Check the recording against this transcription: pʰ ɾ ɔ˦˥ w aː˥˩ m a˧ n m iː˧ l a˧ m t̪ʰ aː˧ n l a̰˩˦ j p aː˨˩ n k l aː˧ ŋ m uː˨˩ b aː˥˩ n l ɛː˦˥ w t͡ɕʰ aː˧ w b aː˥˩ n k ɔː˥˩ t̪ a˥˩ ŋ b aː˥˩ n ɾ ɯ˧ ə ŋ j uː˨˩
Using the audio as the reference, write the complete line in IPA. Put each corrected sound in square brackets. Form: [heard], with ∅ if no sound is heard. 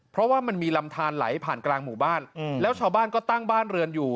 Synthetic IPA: pʰ ɾ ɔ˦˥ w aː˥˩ m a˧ n m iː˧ l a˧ m t̪ʰ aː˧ n l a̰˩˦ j [pʰ] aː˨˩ n k l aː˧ ŋ m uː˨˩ b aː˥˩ n l ɛː˦˥ w t͡ɕʰ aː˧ w b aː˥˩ n k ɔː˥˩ t̪ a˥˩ ŋ b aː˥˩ n ɾ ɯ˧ ə [n] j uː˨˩